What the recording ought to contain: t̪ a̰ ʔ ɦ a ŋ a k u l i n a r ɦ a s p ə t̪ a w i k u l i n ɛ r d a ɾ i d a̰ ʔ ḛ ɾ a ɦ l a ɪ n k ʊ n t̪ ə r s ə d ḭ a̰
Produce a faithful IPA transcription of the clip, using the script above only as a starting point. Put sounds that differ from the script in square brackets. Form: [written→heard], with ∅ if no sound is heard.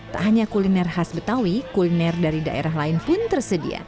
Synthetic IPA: t̪ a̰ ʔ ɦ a [ŋ→ɲ] a k u l i n [a→ɛ] r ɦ a s [p→b] ə t̪ a w i k u l i n ɛ r d a ɾ i d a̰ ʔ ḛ ɾ a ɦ l a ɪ n [k→p] ʊ n t̪ ə r s ə d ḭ a̰